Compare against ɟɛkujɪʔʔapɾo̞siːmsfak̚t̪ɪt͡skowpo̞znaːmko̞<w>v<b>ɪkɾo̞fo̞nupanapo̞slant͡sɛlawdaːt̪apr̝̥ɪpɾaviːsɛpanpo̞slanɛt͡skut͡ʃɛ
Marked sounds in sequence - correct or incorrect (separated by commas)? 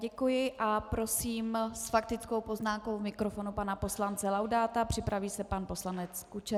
correct, incorrect